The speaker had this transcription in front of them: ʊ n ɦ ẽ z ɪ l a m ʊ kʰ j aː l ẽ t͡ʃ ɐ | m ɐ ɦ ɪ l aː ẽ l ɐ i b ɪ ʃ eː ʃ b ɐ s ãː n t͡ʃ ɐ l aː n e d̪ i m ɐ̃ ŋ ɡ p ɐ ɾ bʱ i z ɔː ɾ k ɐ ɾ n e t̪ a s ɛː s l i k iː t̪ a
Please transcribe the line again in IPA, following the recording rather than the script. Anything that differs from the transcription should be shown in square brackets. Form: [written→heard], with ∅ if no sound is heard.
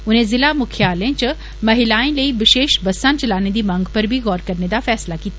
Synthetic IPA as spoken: ʊ n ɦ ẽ z ɪ l a m ʊ kʰ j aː l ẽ t͡ʃ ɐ | m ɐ ɦ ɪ l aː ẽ l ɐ i b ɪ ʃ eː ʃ b ɐ s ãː n t͡ʃ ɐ l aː n e d̪ i m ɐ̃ ŋ ɡ p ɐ ɾ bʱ i [z→ɣ] ɔː ɾ k ɐ ɾ n e [t̪→d̪] a [s→f] ɛː s l [i→a] k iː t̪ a